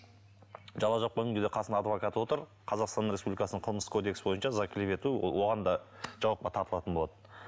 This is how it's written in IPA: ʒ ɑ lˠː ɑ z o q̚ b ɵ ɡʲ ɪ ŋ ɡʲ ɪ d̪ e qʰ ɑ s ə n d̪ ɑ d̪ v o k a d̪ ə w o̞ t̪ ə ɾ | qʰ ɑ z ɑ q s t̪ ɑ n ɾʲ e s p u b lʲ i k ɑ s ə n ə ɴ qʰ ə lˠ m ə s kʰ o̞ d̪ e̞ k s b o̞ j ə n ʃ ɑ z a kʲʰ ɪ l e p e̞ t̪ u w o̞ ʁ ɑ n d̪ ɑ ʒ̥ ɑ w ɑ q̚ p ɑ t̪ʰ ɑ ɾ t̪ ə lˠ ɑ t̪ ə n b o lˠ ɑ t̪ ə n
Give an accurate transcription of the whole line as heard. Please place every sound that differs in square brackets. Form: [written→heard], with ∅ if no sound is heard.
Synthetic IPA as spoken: ʒ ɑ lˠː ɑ [z→ʒ] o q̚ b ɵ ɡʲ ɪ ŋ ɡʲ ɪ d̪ e qʰ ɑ s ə n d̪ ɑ d̪ v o k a [d̪→t̪] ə w o̞ t̪ ə ɾ | qʰ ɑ z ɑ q s t̪ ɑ n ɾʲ e s p u b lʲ i k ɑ s ə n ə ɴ qʰ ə lˠ m ə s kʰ o̞ d̪ e̞ k s b o̞ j ə n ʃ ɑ z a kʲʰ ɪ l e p e̞ t̪ u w o̞ ʁ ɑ n d̪ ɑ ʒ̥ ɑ w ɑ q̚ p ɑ t̪ʰ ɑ ɾ t̪ ə lˠ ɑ t̪ ə n b o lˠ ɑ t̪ ə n

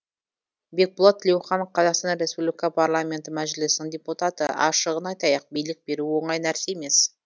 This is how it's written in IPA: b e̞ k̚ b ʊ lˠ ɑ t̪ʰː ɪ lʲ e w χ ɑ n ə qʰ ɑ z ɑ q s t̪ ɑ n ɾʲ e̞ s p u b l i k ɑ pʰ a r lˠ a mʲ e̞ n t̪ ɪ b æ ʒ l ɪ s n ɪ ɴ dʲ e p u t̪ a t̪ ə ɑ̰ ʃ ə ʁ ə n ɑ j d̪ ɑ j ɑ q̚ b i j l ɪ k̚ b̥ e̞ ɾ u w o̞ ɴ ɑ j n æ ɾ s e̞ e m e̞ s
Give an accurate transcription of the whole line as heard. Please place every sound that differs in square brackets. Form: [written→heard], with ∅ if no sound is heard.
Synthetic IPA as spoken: b e̞ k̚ b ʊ lˠ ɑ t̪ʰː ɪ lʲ e w χ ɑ n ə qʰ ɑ z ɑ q s t̪ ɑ n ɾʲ e̞ s p u b l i k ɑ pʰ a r lˠ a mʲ e̞ n t̪ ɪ [b→m] æ ʒ l ɪ s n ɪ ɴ dʲ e p u t̪ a t̪ ə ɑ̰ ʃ ə ʁ ə n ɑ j [d̪→t̪] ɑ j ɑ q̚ b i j l ɪ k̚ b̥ e̞ ɾ u w o̞ ɴ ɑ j n æ ɾ s e̞ e m e̞ s

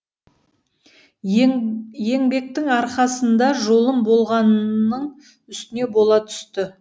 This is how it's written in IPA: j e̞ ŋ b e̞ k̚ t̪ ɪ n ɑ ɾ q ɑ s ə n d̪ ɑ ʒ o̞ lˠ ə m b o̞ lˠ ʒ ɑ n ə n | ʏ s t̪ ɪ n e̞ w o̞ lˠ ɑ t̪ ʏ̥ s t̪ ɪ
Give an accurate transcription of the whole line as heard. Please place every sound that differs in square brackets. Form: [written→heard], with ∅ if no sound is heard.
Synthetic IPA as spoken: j e̞ ŋ b e̞ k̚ t̪ ɪ [n→ŋ] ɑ ɾ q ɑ s ə n d̪ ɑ ʒ o̞ lˠ ə m b o̞ lˠ [ʒ→ʁ] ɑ n ə [n→ɴ] | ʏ s t̪ ɪ n e̞ [w→b] o̞ lˠ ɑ [t̪→t̪ʰ] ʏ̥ s t̪ ɪ

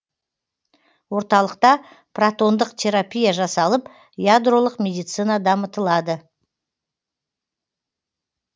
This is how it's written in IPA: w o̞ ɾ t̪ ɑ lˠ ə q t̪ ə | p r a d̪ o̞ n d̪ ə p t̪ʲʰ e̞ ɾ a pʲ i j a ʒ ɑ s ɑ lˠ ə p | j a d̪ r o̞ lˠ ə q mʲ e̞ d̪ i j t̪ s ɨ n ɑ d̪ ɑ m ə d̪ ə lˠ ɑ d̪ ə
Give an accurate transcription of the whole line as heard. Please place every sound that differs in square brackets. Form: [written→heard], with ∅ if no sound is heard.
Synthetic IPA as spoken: w o̞ ɾ t̪ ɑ lˠ ə q t̪ [ə→ɑ] | p r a [d̪→t̪] o̞ n d̪ ə [p→q] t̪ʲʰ e̞ ɾ a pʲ i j a ʒ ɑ s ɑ lˠ ə p | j a d̪ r o̞ lˠ ə q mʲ e̞ d̪ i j t̪ s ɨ n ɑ d̪ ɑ m ə [d̪→t̪] ə lˠ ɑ d̪ ə

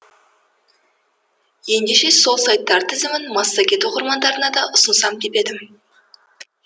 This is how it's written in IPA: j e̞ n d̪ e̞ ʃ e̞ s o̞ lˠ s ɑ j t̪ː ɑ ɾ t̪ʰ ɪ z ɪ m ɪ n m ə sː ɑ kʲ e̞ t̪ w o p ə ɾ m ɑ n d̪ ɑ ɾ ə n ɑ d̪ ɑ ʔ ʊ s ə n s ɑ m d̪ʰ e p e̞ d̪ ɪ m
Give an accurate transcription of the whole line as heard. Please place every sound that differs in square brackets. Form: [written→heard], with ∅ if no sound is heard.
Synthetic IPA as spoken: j e̞ n d̪ e̞ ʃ e̞ s o̞ lˠ s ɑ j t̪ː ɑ ɾ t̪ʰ ɪ z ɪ m ɪ n m [ə→ɑ] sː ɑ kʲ e̞ t̪ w o [p→q] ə ɾ m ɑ n d̪ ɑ ɾ ə n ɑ d̪ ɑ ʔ ʊ s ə n s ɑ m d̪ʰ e p e̞ d̪ ɪ m

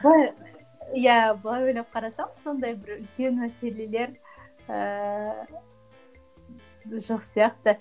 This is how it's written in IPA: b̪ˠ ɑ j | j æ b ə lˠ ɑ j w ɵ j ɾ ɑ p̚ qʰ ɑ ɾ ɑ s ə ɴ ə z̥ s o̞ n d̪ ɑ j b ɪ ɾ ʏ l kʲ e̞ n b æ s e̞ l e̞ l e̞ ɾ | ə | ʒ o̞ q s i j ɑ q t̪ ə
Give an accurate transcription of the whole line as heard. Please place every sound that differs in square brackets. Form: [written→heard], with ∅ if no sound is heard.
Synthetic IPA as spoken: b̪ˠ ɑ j | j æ b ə lˠ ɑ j w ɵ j [ɾ→l] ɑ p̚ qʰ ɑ ɾ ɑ s [ə→ɑ] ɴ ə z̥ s o̞ n d̪ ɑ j b ɪ ɾ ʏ l kʲ e̞ n [b→m] æ s e̞ l e̞ l e̞ ɾ | ə | ʒ o̞ q s i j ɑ q t̪ ə

